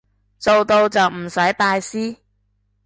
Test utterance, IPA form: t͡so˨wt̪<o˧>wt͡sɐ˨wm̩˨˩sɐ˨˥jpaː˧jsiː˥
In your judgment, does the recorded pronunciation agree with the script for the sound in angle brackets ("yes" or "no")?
yes